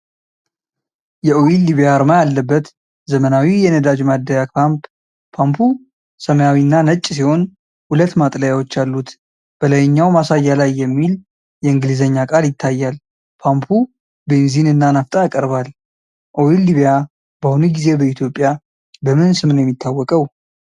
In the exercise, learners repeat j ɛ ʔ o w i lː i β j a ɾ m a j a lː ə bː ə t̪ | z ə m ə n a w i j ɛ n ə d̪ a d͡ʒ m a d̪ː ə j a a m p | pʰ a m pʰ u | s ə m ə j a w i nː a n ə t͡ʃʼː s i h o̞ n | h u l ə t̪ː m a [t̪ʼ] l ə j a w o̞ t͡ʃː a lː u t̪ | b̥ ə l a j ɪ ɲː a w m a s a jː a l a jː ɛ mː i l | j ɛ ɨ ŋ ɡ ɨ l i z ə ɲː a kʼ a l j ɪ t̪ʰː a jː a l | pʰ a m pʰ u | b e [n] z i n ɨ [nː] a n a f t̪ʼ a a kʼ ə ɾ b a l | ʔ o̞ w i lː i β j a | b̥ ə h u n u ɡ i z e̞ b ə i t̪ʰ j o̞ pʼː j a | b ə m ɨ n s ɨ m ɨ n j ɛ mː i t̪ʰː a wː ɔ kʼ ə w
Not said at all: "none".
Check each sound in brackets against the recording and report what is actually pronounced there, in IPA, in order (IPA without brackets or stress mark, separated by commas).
t̪ʼ, n, nː